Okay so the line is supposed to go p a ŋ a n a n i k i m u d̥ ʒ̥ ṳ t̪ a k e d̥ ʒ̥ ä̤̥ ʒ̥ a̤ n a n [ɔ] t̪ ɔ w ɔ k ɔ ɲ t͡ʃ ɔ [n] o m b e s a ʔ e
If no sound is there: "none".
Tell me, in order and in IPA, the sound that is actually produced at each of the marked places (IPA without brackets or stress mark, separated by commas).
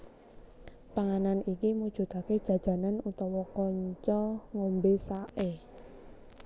u, ŋ